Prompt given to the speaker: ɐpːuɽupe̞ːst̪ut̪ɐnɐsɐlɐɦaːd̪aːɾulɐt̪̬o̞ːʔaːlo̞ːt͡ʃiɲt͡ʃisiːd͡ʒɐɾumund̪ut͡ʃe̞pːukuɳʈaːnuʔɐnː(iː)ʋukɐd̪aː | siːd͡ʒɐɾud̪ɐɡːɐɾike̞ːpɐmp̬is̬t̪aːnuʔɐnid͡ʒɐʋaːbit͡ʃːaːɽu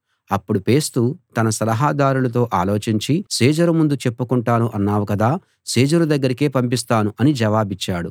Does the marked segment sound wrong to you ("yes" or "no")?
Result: yes